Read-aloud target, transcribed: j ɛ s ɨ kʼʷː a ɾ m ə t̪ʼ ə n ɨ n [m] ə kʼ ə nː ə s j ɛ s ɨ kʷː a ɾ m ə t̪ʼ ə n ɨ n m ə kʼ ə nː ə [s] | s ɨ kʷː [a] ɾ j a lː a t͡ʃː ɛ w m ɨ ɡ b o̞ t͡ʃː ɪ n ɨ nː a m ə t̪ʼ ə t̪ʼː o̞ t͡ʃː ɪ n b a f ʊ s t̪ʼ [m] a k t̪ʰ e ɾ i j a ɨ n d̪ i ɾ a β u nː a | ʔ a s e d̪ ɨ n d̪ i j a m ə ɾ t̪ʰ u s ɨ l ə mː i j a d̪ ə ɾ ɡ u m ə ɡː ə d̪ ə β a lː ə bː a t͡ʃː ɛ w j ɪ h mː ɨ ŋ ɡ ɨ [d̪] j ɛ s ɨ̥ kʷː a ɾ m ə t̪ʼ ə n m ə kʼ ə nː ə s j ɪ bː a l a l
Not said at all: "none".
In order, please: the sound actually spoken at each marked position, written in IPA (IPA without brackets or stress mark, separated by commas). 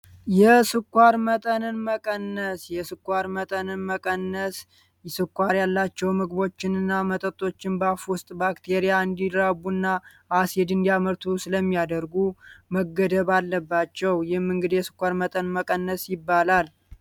m, s, a, b, d̪